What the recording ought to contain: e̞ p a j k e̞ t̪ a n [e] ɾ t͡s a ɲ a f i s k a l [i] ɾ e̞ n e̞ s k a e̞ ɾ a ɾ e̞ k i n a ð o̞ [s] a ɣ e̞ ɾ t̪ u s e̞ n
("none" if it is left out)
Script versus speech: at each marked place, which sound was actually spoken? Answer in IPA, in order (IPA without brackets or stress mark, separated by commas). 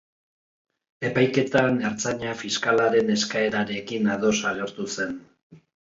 e, a, s